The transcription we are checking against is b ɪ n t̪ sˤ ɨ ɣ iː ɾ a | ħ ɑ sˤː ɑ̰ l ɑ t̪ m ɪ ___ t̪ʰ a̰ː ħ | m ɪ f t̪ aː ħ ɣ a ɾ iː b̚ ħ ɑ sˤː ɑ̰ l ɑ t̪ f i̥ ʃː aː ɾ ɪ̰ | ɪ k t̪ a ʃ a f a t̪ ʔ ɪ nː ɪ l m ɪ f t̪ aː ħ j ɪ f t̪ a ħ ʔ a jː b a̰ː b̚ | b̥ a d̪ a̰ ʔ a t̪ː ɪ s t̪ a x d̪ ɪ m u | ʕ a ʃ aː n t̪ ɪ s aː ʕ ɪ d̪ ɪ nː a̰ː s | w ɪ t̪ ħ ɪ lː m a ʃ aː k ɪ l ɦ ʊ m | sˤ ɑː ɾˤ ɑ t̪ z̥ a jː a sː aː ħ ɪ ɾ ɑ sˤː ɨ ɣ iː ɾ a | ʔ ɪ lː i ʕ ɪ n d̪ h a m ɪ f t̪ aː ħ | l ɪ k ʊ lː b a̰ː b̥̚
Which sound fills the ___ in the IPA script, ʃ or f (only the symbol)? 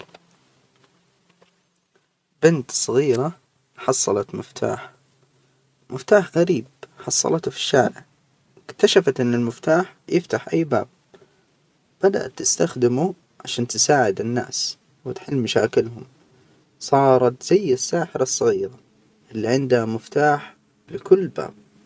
f